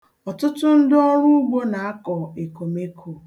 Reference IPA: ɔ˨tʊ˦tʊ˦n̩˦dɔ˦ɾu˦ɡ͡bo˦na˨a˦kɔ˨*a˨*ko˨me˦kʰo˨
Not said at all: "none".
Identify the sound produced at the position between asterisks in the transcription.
e˨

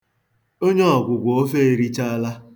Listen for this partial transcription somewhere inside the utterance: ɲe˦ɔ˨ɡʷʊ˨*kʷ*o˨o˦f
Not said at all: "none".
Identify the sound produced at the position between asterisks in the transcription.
ɡʷ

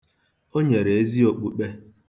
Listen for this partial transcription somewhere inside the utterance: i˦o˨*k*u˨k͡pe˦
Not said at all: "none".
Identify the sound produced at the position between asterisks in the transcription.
k͡p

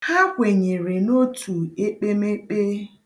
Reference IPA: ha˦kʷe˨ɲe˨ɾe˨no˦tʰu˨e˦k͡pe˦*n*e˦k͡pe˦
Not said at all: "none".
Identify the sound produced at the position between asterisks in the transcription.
m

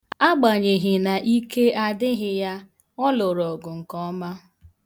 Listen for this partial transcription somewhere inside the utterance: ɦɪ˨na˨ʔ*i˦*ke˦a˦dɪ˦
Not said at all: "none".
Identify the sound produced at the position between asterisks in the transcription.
i˦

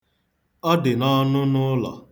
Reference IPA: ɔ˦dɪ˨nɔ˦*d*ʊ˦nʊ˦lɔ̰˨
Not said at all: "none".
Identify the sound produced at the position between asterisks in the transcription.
n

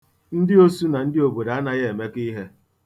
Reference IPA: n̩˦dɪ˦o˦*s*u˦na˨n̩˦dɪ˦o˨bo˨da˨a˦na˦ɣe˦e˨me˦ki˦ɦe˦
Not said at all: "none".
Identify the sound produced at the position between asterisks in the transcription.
s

